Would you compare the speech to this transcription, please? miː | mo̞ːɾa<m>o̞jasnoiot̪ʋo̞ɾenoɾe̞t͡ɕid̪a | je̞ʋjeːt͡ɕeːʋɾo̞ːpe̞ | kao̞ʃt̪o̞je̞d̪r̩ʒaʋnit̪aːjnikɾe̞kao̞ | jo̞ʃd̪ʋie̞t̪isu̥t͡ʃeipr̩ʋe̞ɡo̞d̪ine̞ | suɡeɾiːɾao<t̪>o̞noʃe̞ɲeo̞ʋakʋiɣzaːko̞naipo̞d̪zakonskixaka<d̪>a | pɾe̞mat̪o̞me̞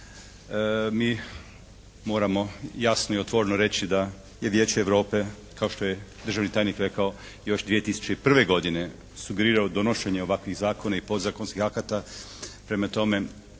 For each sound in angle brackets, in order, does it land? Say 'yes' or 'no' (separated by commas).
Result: yes, no, no